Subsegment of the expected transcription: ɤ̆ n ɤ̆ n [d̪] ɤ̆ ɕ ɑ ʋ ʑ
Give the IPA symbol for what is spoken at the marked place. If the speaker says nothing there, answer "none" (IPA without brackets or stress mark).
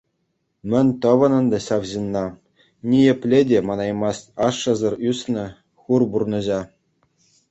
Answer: d̪